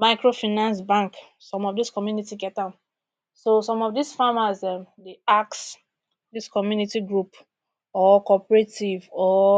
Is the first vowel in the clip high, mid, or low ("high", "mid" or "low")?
low